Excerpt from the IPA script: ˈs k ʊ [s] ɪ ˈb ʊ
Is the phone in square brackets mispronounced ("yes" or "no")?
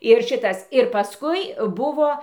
yes